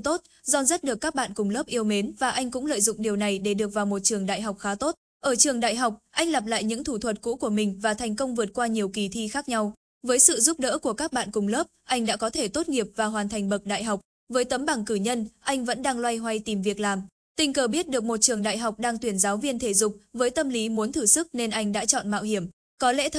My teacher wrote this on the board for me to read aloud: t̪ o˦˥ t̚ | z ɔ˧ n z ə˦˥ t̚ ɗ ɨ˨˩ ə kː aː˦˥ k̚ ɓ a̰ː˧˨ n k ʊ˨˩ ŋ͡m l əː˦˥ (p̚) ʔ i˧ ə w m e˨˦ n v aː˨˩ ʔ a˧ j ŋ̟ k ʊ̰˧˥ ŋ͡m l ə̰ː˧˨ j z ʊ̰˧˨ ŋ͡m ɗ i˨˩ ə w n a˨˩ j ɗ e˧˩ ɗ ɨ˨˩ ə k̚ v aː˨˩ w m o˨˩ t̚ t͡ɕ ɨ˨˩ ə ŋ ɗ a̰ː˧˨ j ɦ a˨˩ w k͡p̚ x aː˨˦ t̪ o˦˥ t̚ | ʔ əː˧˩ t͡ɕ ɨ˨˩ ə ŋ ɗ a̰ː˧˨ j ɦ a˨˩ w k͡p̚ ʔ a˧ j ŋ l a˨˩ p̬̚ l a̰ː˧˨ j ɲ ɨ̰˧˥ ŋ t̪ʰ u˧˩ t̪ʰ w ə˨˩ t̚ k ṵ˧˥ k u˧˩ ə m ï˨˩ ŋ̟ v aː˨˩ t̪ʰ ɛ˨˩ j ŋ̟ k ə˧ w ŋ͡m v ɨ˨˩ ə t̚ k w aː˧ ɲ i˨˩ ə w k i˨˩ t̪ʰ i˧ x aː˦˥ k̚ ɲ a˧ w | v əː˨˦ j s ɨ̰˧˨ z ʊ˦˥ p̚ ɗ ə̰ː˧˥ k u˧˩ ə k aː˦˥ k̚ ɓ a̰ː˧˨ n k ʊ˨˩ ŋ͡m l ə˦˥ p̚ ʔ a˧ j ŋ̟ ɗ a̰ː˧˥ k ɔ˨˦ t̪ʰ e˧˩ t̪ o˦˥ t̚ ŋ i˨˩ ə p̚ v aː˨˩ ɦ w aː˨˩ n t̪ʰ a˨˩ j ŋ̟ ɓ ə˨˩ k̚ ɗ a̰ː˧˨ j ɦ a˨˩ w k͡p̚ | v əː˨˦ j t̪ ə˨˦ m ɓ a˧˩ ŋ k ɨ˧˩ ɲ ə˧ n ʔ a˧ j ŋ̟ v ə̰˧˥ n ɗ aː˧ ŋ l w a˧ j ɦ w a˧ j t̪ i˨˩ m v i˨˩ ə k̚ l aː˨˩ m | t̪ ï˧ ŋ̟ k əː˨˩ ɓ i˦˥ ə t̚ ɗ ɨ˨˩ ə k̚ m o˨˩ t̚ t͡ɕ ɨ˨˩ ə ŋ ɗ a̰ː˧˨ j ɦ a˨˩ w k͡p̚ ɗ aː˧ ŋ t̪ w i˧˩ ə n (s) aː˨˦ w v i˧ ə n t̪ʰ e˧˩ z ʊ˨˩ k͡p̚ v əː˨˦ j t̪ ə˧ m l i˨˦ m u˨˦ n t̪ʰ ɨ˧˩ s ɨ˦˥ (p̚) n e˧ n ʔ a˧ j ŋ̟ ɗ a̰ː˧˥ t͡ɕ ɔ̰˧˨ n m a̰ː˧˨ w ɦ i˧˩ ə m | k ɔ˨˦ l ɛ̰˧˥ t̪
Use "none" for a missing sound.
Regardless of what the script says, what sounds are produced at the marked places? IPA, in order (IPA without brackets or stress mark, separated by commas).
p̚, z, k̚